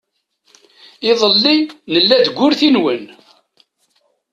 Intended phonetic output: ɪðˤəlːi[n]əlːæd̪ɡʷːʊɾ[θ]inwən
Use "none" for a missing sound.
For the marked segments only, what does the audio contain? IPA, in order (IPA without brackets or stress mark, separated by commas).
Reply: n, θ